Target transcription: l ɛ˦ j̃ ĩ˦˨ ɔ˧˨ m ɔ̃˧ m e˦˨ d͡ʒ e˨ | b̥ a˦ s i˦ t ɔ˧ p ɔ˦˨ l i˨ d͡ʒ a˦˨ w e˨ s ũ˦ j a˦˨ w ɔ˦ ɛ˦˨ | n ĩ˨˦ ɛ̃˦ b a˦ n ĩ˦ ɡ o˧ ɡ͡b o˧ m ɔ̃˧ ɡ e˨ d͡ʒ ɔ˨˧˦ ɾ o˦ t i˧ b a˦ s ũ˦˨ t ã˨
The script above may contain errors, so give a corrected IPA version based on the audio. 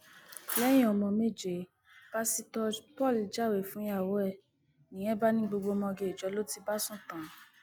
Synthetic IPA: l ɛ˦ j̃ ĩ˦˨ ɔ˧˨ m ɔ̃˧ m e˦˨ d͡ʒ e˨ | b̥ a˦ s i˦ t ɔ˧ p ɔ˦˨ l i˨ d͡ʒ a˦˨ w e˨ f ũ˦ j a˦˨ w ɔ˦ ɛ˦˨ | n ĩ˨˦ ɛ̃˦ b a˦ n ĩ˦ ɡ͡b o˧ ɡ͡b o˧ m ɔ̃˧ ɡ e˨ d͡ʒ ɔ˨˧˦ l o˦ t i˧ b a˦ s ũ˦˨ t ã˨